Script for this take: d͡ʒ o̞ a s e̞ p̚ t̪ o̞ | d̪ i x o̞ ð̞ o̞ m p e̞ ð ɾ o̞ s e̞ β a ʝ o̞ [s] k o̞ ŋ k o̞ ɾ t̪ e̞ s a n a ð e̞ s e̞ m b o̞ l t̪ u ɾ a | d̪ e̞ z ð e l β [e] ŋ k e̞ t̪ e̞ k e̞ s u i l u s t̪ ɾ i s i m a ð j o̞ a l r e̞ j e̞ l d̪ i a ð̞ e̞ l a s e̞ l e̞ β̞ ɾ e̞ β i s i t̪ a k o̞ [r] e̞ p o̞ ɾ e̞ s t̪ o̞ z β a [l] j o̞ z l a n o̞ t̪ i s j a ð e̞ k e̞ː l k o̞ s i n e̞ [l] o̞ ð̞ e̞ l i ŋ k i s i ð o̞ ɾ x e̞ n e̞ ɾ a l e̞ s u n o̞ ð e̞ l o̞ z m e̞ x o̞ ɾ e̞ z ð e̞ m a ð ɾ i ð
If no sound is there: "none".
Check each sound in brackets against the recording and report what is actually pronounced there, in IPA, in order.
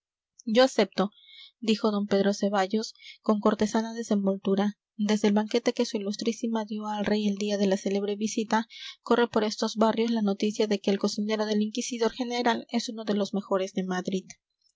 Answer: s, a, r, r, ɾ

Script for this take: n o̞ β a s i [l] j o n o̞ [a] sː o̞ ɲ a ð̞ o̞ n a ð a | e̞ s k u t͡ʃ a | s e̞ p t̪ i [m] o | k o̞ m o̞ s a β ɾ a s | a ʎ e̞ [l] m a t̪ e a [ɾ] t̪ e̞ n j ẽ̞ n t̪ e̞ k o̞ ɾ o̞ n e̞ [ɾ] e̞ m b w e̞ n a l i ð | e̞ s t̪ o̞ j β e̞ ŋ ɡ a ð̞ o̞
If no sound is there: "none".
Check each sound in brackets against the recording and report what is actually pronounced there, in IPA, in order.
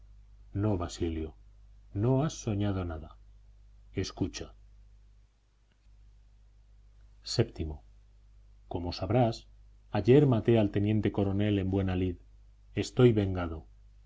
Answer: l, a, m, ɾ, l, l

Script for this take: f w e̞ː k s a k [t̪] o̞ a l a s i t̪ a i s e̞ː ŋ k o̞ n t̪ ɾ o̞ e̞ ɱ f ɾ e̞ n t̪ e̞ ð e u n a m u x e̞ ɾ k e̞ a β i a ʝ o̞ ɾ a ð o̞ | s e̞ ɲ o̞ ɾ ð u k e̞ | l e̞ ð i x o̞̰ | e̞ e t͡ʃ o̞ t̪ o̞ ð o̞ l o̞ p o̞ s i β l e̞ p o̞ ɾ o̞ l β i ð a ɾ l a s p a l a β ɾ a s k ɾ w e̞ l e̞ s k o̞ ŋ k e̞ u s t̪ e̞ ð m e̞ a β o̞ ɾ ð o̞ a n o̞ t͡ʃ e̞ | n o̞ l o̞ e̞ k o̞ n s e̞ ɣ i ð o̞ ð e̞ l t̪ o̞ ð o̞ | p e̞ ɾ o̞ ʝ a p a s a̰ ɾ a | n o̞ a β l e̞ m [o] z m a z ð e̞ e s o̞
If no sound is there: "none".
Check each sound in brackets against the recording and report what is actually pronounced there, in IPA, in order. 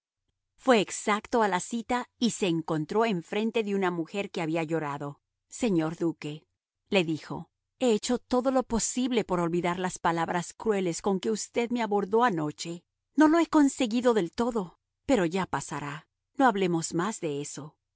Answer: t̪, o

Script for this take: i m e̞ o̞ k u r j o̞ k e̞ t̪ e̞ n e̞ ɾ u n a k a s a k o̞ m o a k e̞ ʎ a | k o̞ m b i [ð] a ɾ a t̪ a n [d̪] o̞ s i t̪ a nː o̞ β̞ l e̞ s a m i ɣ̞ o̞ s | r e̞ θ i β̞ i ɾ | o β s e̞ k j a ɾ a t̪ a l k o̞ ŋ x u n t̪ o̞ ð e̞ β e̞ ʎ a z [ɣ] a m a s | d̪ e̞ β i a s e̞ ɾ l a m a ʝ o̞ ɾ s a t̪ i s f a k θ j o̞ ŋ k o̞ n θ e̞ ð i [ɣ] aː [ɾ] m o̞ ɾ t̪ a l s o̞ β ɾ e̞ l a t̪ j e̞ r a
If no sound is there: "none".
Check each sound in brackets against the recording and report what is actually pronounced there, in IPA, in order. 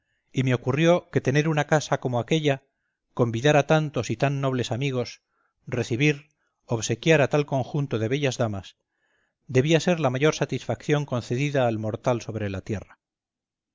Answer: ð, t̪, ð, ð, l

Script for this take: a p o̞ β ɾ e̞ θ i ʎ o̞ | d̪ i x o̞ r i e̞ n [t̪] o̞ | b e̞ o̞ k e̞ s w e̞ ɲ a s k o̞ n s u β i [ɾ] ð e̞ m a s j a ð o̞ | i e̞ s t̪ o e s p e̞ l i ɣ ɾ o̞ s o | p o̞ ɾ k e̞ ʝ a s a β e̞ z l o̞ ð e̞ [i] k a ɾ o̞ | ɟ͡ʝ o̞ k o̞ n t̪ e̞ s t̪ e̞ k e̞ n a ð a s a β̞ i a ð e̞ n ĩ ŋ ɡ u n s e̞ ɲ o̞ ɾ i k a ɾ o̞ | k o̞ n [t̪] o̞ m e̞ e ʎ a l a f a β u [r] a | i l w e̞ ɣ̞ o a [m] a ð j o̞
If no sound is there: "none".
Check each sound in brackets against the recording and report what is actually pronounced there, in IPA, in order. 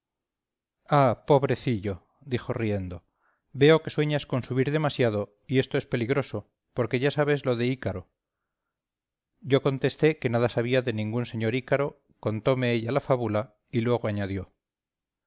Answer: d̪, ɾ, i, t̪, l, ɲ

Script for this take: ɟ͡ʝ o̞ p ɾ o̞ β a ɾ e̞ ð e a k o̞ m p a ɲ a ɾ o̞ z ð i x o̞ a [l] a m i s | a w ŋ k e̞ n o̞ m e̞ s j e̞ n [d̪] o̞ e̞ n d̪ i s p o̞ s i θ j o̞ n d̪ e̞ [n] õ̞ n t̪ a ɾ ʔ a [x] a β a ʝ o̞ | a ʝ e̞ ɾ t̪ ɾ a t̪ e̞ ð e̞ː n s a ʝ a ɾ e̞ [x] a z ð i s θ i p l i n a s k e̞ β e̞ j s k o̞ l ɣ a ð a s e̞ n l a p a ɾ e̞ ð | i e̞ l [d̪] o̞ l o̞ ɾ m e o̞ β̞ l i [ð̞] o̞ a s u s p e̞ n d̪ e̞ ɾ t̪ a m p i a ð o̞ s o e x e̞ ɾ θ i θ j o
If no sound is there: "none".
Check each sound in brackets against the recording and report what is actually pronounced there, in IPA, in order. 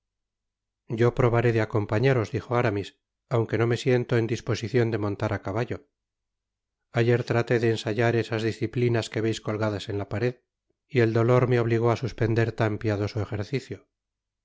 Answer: ɾ, t̪, m, k, s, d̪, ɣ̞

